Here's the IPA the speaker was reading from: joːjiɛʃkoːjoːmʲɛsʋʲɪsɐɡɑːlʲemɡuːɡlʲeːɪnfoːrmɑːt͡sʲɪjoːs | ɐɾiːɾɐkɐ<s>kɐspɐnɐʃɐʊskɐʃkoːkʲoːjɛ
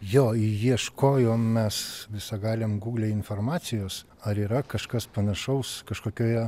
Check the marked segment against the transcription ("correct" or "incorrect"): incorrect